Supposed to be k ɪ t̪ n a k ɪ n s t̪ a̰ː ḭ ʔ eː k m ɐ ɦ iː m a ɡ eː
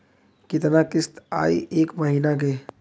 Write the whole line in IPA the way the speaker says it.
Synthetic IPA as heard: k ɪ t̪ n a k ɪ s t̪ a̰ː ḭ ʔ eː k m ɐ ɦ iː n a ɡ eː